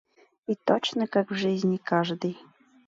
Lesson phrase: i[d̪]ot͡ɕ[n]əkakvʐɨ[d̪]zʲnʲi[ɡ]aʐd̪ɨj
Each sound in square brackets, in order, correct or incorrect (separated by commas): incorrect, correct, incorrect, incorrect